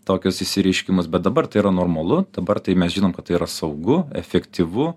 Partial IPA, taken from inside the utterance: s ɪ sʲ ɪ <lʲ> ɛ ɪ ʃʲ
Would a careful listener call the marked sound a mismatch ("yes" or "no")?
yes